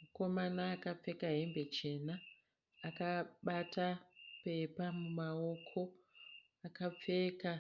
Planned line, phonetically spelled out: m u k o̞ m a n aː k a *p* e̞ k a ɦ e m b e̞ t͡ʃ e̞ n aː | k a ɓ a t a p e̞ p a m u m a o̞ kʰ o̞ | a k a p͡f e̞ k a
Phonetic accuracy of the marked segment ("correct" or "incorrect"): incorrect